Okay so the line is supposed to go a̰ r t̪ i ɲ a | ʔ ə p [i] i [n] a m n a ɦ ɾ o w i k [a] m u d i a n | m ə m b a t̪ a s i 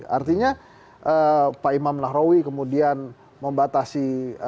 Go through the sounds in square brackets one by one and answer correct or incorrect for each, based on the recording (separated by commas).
incorrect, incorrect, incorrect